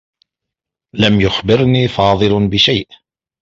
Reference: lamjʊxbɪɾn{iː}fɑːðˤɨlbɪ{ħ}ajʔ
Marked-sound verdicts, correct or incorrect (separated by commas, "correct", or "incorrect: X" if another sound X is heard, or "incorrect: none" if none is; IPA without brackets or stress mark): correct, incorrect: ʃ